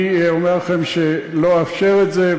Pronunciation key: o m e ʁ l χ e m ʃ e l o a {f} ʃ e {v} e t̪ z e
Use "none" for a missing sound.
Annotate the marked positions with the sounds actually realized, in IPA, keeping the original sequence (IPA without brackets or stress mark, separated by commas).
f, ʁ